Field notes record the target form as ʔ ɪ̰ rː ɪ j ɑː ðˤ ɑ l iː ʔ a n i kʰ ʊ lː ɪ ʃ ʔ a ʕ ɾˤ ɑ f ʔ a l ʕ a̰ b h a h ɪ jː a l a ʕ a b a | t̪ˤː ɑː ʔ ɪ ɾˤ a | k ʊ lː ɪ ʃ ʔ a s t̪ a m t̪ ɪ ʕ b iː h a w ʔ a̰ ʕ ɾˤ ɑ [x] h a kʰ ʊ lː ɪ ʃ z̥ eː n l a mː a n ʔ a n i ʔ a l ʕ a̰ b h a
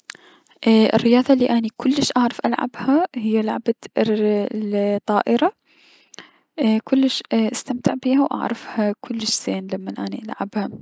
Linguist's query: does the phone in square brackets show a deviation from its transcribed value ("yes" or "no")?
yes